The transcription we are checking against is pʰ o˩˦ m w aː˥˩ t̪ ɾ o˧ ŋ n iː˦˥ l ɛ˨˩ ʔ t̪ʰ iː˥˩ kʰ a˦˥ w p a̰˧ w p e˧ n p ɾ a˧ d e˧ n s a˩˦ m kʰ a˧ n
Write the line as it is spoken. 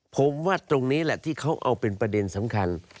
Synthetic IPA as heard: pʰ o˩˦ m w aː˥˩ t̪ ɾ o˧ ŋ n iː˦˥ l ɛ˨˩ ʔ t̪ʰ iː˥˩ kʰ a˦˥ w ʔ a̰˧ w p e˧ n p ɾ a˧ d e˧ n s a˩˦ m kʰ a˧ n